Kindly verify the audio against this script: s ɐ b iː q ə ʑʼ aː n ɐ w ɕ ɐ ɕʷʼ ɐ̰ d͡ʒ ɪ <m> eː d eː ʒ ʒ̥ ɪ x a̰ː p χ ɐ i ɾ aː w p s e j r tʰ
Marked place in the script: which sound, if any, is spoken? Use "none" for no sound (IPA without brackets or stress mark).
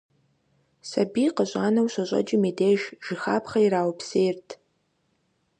m